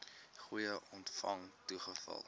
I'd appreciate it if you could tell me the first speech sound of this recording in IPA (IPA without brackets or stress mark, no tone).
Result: χ